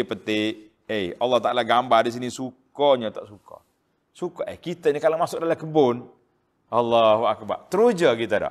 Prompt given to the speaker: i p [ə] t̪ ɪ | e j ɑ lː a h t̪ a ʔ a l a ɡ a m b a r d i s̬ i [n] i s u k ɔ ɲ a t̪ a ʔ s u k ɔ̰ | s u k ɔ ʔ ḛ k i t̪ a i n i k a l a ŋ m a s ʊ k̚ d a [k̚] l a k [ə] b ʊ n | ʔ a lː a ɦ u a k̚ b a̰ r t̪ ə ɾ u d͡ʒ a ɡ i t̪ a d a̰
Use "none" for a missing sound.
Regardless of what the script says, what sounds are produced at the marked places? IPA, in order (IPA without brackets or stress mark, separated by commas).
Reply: ə, n, none, ə